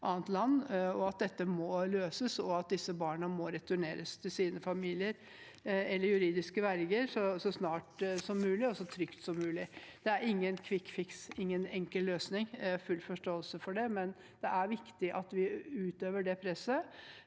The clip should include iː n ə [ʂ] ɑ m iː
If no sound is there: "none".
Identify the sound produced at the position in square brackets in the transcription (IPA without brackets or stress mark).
f